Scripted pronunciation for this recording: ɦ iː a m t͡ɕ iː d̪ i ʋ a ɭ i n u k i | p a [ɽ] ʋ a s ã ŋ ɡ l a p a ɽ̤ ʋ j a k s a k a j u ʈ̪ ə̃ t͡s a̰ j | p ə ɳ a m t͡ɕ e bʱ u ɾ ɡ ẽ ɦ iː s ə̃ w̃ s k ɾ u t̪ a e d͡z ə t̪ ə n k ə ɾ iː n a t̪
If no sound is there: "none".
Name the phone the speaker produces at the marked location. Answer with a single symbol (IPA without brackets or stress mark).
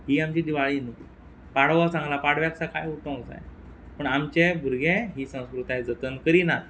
ɽ